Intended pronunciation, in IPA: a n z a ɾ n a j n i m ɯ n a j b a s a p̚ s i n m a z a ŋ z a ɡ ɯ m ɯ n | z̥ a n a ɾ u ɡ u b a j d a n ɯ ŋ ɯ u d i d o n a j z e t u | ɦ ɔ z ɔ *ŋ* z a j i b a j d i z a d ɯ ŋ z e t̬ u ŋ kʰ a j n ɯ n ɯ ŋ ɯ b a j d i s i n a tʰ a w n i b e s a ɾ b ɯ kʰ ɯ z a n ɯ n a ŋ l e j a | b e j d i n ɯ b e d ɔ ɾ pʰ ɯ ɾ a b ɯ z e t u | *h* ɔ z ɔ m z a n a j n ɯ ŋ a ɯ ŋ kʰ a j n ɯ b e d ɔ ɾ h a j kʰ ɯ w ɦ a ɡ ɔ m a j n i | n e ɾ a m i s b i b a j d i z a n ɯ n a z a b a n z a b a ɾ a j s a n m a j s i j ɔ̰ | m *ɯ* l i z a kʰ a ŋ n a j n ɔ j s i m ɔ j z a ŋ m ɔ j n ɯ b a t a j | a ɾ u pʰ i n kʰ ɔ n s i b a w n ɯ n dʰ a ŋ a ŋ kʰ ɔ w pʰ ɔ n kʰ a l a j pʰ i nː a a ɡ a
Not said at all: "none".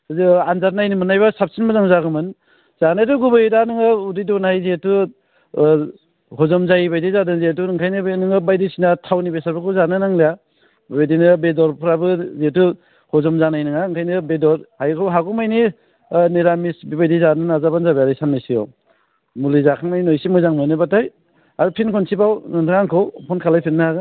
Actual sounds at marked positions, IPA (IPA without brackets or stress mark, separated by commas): m, h, u